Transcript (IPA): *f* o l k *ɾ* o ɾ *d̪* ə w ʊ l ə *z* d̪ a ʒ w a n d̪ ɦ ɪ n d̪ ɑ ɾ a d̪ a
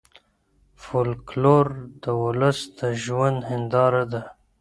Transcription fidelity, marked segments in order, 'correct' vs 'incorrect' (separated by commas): correct, incorrect, correct, incorrect